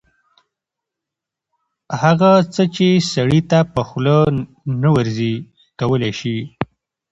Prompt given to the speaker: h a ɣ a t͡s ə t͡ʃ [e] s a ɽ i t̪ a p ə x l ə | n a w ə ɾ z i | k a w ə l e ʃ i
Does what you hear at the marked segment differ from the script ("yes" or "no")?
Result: no